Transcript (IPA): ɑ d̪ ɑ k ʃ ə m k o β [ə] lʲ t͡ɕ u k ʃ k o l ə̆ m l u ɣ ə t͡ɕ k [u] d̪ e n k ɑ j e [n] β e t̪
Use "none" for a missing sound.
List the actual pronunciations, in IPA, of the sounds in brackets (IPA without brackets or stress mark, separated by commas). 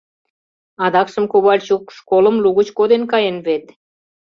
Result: ɑ, o, n